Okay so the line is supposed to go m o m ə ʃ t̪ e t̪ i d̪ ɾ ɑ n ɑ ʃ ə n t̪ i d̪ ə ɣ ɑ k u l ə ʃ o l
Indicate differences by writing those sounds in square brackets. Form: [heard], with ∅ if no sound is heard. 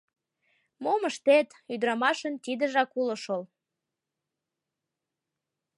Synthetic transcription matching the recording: m o m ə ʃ t̪ e t̪ [y] d̪ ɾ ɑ [m] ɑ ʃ ə n t̪ i d̪ ə [ʒ] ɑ k u l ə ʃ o l

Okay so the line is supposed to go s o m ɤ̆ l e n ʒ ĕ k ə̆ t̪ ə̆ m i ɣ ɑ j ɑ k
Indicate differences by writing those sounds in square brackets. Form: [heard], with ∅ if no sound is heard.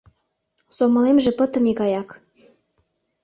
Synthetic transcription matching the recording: s o m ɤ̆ l e [m] ʒ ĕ [p] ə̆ t̪ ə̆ m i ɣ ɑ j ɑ k

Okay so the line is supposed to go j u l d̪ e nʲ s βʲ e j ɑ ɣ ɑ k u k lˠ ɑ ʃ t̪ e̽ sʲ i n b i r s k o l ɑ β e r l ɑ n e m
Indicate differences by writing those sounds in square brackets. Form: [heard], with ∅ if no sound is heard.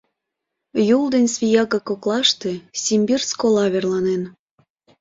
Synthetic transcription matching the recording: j u l d̪ e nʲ s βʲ [i] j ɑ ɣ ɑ k [o] k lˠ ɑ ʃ t̪ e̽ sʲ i [m] b i r s k o l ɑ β e r l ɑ n e [n]

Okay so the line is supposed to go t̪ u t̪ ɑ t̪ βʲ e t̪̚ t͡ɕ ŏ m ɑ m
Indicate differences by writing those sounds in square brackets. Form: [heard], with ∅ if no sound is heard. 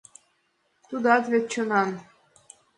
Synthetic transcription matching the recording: t̪ u [d̪] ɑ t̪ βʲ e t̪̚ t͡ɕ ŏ [n] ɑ [n]

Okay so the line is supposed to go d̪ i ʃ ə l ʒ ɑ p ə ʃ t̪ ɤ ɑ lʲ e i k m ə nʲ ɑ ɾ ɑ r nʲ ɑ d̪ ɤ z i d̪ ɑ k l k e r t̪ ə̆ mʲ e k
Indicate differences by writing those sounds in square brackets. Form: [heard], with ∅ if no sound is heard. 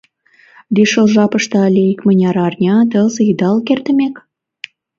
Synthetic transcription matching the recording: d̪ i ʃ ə l ʒ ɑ p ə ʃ t̪ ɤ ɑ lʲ e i k m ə nʲ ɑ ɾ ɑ r nʲ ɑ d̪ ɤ z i d̪ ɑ [∅] l k e r t̪ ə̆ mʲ e k

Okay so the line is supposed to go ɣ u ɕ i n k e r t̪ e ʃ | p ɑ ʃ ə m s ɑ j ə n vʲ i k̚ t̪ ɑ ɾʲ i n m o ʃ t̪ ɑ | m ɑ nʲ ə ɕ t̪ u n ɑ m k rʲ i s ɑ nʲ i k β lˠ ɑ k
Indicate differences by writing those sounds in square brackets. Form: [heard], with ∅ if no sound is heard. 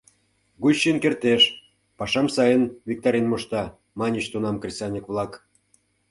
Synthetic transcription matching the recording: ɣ u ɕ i n k e r t̪ e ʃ | p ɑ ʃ [ɑ] m s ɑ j ə n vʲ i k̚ t̪ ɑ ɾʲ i n m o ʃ t̪ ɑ | m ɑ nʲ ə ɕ t̪ u n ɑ m k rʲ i s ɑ nʲ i k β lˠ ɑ k

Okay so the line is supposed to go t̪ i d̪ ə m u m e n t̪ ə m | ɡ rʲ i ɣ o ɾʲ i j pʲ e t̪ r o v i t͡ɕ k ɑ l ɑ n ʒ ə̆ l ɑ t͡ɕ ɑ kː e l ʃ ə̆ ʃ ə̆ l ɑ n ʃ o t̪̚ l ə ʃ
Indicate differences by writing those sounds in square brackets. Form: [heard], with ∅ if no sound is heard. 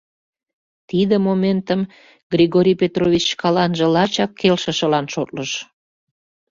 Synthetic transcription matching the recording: t̪ i d̪ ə m [o] m e n t̪ ə m | ɡ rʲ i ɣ o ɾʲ i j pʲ e t̪ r o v i t͡ɕ k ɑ l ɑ n ʒ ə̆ l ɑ t͡ɕ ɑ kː e l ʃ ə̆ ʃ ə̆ l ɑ n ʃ o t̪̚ l ə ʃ

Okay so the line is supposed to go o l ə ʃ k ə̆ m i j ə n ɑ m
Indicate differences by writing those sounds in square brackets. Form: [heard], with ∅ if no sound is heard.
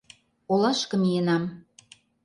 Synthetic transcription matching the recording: o l [ɑ] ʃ k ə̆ m i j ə n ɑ m

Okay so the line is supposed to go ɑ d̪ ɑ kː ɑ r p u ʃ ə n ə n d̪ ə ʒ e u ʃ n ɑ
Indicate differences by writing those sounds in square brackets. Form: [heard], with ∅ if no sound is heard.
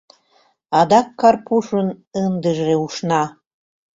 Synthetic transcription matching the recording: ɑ d̪ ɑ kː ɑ r p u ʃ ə n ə n d̪ ə ʒ e u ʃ n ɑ

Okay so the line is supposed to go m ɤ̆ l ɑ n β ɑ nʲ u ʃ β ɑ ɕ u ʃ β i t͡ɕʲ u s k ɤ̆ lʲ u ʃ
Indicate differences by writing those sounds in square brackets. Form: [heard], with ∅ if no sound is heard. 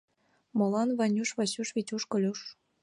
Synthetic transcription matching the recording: m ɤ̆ l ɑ n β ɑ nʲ u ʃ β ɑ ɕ u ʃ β i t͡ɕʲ u [ʃ] k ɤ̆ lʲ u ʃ

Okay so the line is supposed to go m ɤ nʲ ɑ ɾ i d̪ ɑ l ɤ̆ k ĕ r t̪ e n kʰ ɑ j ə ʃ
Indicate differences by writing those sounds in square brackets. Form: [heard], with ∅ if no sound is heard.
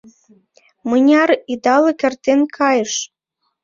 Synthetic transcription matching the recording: m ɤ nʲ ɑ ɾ i d̪ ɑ l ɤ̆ k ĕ r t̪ e n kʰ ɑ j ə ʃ

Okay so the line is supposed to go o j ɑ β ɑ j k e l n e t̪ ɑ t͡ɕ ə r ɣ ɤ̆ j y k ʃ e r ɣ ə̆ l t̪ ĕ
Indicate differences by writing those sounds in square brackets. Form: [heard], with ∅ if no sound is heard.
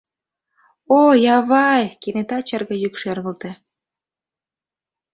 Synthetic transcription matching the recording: o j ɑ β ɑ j k e [∅] n e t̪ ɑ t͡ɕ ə r ɣ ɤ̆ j y k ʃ e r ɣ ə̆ l t̪ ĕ

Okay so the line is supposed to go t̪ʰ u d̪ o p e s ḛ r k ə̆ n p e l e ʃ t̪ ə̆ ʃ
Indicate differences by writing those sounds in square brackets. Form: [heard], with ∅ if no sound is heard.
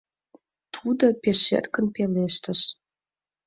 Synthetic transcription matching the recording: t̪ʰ u d̪ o p e [ʃ] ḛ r k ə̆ n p e l e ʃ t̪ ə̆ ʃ

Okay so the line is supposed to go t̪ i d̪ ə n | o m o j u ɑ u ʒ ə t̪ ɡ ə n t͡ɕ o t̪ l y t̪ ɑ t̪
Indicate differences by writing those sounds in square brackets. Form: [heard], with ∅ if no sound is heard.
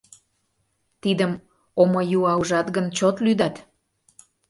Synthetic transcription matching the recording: t̪ i d̪ ə [m] | o m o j u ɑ u ʒ [ɑ] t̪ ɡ ə n t͡ɕ o t̪ l y [d̪] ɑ t̪

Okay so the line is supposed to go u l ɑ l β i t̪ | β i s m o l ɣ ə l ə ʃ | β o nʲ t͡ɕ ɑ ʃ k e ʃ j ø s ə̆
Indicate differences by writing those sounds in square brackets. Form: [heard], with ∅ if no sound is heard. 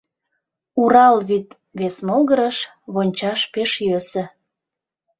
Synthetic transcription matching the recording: u [ɾ] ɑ l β i t̪ | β [e] s m o l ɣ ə [ɾ] ə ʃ | β o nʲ t͡ɕ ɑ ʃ [p] e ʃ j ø s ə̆

